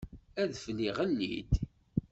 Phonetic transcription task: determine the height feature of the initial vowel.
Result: low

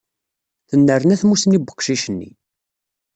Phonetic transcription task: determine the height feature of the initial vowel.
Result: mid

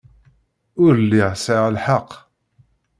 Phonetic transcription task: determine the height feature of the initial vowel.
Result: high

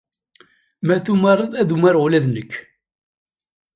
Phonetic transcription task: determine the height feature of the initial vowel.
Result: low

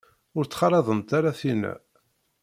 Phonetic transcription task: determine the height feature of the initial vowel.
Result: high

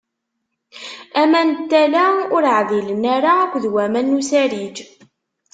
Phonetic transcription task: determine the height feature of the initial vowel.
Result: low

